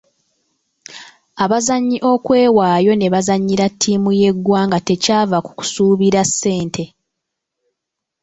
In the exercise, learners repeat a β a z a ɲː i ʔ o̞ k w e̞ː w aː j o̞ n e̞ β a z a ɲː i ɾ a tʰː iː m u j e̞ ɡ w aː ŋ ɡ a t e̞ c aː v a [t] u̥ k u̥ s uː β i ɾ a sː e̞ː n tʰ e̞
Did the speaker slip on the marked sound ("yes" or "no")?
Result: yes